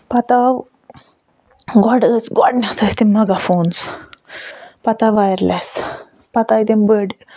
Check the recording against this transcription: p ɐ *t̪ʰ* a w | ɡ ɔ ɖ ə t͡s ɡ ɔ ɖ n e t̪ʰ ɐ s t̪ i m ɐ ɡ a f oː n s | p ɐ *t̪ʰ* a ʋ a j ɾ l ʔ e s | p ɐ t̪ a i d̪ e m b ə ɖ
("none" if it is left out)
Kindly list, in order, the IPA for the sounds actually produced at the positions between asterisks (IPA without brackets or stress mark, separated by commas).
t̪, t̪